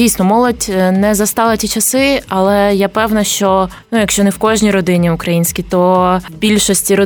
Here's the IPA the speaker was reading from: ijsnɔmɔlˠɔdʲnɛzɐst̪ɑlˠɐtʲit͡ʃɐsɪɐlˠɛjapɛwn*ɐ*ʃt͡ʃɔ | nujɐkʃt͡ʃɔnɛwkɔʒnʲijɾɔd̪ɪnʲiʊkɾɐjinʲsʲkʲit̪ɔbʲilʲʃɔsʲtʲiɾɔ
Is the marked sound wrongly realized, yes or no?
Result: no